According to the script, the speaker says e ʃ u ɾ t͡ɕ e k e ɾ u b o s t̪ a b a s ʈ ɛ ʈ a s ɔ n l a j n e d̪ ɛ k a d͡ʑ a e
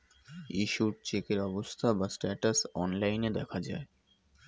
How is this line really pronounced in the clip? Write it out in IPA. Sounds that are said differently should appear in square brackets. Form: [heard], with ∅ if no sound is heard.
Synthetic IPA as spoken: [i] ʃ u ɾ t͡ɕ e k e ɾ [ɔ] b o s [t̪ʰ] a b a s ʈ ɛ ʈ a s ɔ n l a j n e d̪ ɛ [kʰ] a d͡ʑ a e